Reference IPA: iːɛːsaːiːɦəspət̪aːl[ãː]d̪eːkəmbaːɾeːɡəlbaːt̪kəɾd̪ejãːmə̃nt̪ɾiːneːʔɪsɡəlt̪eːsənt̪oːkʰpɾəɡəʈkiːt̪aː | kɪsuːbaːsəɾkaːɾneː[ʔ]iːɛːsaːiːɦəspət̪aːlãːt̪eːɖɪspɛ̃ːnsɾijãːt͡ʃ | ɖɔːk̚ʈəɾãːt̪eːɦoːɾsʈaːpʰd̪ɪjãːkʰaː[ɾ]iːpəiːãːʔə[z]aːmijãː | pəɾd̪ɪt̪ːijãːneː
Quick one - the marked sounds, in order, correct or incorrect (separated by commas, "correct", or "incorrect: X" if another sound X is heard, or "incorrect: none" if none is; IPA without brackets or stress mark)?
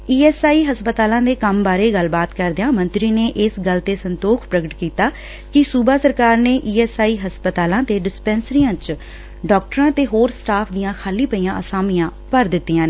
correct, correct, incorrect: l, incorrect: s